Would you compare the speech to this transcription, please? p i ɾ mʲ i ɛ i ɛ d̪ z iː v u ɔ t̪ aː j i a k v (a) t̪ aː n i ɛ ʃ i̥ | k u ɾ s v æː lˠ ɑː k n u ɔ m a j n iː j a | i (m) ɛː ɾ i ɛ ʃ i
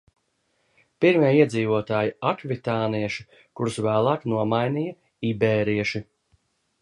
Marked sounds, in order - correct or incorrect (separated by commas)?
incorrect, incorrect